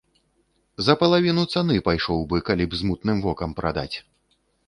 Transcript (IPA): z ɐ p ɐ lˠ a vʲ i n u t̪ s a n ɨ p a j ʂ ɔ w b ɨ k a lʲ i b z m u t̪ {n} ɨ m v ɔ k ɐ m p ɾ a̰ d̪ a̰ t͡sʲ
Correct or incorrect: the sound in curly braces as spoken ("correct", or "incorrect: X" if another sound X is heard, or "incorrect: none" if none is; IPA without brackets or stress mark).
correct